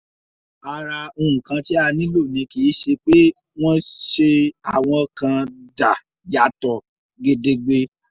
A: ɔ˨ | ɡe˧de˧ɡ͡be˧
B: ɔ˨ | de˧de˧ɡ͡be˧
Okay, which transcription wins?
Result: A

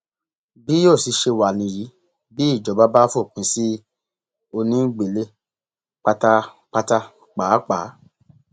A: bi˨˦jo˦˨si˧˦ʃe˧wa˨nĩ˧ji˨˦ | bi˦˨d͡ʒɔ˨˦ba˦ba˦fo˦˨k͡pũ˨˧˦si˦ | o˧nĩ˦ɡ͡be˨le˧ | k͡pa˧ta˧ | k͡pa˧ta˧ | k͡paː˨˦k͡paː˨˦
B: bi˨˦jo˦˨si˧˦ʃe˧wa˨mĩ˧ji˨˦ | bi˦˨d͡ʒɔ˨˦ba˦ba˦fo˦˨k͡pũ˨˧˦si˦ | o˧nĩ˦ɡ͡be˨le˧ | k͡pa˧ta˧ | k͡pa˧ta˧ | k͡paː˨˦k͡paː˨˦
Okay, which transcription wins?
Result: A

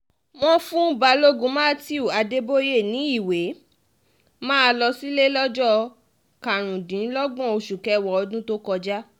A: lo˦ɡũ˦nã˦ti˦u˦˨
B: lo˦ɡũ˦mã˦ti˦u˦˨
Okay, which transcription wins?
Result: B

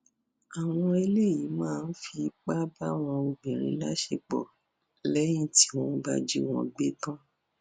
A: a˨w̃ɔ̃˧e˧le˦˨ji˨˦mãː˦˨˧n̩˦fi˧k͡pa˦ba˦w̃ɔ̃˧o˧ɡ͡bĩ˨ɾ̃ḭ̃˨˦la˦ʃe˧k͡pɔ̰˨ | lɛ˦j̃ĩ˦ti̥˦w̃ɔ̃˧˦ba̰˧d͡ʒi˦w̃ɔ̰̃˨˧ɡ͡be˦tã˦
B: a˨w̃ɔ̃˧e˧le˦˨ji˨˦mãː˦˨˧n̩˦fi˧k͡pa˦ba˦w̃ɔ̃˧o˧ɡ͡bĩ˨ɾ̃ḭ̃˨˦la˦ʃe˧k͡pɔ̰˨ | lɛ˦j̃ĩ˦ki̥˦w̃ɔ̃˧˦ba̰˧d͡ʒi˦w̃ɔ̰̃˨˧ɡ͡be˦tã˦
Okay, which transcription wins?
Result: A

